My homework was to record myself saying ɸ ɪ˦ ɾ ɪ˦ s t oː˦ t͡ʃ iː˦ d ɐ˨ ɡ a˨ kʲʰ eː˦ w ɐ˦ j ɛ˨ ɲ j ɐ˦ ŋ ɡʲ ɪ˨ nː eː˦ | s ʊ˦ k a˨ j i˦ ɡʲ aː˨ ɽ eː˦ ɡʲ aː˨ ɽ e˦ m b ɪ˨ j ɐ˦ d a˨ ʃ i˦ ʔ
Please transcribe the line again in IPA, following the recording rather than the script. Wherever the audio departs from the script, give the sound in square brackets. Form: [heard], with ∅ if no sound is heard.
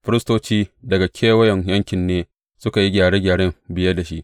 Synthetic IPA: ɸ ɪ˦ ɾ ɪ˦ s t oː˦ t͡ʃ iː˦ d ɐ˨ ɡ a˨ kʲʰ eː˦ w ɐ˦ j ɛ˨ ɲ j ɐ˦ ŋ [kʲ] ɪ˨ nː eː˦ | s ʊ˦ k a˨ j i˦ ɡʲ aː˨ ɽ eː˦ ɡʲ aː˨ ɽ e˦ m b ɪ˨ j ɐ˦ d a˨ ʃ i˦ ʔ